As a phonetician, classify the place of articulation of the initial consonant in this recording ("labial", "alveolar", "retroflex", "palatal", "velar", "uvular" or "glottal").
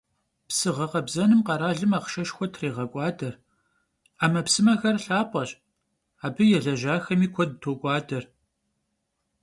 labial